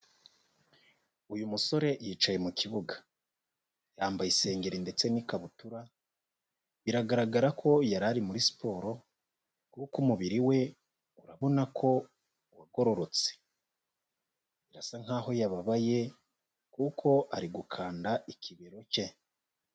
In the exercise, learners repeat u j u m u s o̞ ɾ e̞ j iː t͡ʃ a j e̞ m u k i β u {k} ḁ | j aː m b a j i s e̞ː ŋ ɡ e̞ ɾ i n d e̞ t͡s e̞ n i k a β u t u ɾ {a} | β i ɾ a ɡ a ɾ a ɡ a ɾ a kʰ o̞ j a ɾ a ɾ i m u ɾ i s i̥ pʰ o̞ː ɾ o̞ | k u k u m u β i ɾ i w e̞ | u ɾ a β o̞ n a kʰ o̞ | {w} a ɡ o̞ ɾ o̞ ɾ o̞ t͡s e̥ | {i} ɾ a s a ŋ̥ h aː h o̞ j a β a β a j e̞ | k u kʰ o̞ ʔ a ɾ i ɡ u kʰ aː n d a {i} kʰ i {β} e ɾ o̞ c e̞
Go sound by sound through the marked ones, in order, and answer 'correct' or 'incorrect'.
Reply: incorrect: ɡ, correct, correct, correct, correct, correct

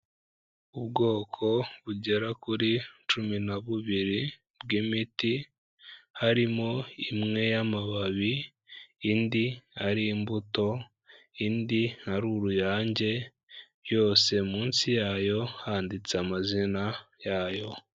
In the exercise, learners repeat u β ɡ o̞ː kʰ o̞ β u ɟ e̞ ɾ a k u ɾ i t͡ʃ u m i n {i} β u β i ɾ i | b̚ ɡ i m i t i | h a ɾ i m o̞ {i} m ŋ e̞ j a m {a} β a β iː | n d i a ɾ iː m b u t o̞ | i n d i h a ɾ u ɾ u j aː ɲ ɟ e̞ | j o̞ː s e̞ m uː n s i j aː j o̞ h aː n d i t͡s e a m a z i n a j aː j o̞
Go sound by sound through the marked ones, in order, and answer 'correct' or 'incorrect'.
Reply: incorrect: a, correct, correct

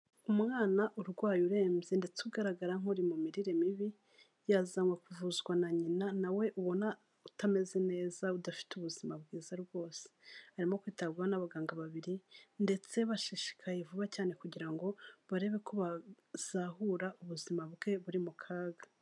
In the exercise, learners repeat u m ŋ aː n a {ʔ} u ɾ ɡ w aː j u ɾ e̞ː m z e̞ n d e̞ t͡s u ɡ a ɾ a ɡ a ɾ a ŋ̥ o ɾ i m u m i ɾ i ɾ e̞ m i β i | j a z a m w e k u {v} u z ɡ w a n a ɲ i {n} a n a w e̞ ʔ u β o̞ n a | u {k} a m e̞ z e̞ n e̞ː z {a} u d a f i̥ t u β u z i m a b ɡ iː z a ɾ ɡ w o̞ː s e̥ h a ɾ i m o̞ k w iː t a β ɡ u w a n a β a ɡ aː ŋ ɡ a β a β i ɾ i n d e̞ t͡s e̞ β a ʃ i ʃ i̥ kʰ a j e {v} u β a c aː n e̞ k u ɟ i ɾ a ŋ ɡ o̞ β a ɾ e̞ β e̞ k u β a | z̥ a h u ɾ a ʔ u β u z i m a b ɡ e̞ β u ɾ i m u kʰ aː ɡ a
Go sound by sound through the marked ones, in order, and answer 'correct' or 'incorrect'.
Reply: correct, correct, correct, incorrect: t, correct, correct

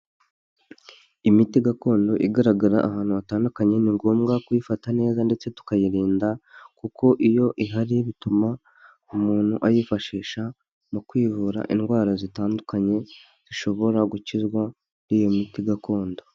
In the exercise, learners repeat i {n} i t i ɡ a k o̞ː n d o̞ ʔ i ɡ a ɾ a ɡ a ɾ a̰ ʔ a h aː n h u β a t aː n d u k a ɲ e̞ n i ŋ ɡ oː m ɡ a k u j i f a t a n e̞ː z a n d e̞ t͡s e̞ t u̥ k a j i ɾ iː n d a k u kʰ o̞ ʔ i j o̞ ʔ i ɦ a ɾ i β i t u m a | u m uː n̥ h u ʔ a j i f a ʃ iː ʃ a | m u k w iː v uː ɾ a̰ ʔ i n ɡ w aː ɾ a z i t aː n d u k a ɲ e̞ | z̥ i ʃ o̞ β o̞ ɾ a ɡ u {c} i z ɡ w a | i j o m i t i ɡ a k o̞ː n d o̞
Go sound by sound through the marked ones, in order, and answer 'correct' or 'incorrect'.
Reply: incorrect: m, correct

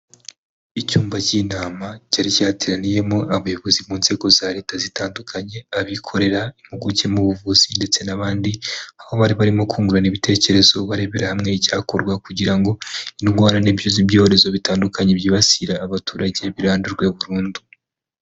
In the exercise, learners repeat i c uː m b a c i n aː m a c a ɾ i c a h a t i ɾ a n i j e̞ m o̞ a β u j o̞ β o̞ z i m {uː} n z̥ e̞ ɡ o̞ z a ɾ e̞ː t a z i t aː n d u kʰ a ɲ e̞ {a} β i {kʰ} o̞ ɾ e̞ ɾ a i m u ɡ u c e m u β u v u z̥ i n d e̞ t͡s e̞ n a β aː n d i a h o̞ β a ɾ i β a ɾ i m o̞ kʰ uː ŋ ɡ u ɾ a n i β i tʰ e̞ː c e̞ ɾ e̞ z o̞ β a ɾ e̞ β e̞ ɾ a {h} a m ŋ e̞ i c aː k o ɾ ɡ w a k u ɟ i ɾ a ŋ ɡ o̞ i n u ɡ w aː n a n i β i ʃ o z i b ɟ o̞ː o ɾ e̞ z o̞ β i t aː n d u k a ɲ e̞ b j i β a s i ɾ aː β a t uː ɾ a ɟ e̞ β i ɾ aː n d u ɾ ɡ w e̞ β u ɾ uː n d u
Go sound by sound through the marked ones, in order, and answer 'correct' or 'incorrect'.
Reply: correct, correct, correct, correct

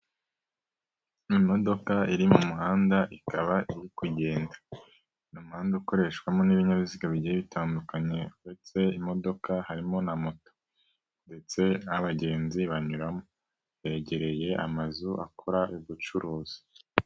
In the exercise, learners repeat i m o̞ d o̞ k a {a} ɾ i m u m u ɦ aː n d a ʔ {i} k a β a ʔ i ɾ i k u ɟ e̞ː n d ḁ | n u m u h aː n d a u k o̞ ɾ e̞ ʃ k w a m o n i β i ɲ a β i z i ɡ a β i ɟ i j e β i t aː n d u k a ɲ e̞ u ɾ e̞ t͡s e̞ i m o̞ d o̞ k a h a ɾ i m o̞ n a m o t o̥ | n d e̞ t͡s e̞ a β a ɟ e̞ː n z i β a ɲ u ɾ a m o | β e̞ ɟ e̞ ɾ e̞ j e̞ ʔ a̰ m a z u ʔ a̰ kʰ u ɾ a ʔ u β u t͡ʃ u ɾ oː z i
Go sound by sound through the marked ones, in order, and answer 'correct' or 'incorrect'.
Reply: incorrect: i, correct

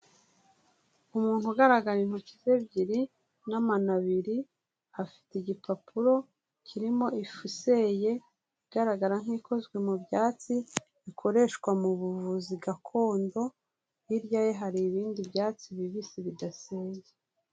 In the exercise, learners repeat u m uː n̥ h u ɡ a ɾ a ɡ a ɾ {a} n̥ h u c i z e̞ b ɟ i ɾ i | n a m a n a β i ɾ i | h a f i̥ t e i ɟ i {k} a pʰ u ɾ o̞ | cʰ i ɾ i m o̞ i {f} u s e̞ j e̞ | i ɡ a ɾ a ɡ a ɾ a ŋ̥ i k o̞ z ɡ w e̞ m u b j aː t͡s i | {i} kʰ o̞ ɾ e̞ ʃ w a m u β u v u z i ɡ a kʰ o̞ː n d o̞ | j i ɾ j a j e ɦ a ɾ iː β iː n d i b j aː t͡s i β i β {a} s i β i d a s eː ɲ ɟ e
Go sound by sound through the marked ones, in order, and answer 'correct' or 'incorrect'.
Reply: incorrect: i, incorrect: p, correct, correct, incorrect: i

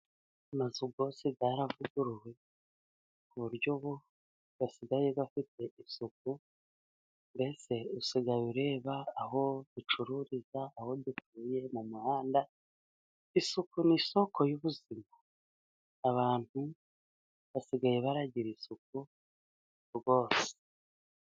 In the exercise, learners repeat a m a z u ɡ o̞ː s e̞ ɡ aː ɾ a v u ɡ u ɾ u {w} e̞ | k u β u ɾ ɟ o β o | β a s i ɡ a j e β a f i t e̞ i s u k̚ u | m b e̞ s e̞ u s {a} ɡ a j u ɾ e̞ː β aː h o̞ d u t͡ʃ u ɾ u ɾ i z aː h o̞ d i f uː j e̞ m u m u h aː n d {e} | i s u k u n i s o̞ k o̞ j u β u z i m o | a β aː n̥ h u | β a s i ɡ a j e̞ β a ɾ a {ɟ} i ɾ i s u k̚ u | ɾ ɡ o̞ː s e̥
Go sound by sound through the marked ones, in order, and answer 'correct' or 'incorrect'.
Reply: correct, incorrect: i, incorrect: a, correct

